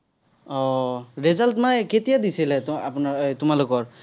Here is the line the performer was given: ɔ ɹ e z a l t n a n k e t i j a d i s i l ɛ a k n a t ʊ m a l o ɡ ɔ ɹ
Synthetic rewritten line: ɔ ɹ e z a l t m a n k e t i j a d i s i l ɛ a p n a t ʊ m a l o k ɔ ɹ

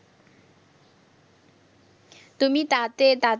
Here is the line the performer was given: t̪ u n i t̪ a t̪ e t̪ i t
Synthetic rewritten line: t̪ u m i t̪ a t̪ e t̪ a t

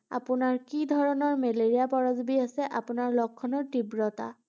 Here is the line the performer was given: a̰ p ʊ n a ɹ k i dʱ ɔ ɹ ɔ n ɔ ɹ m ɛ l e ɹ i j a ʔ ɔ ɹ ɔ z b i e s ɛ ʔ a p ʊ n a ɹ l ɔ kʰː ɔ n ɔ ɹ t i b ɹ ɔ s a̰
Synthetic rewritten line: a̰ p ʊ n a ɹ k i dʱ ɔ ɹ ɔ n ɔ ɹ m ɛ l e ɹ i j a p ɔ ɹ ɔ z b i a s ɛ ʔ a p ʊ n a ɹ l ɔ kʰː ɔ n ɔ ɹ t i b ɹ ɔ t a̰

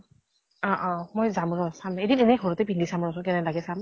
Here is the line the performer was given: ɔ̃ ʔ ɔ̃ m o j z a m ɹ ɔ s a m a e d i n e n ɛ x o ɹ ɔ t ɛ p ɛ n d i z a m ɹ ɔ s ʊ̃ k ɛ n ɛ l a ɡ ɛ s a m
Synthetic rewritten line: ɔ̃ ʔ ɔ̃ m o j z a m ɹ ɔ s a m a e d i n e n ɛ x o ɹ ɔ t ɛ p i n d i s a m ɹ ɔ s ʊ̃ k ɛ n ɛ l a ɡ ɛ s a m

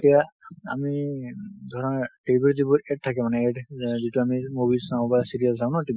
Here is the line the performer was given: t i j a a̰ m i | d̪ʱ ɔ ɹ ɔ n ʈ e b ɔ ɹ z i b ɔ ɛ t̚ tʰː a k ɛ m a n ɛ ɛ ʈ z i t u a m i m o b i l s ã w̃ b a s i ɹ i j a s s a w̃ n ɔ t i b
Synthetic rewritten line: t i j a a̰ m i | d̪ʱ ɔ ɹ ɔ n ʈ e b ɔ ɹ z i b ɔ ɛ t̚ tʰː a k ɛ m a n ɛ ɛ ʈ z i t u a m i m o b i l s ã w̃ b a s i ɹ i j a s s a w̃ n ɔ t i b

